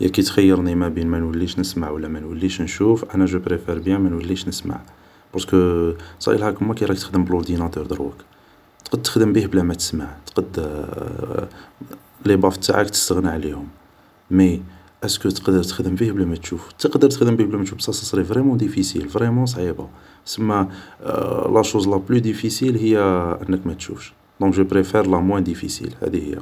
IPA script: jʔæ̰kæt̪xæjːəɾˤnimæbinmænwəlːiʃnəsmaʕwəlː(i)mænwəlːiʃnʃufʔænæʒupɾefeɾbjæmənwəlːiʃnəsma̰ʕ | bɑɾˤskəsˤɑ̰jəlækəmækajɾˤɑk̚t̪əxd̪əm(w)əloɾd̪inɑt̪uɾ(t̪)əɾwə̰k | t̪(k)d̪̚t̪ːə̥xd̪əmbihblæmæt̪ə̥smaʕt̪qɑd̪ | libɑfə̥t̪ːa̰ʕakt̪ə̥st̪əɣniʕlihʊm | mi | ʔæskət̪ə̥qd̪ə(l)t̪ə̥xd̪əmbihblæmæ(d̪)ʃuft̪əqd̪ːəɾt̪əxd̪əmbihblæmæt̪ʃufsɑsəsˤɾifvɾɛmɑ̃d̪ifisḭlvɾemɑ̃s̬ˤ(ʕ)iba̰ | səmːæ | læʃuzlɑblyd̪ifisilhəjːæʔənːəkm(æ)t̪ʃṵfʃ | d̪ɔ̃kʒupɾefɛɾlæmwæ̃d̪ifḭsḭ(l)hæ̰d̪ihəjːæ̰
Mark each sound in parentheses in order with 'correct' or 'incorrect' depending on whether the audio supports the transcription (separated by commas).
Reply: incorrect, incorrect, incorrect, incorrect, incorrect, incorrect, correct, correct, correct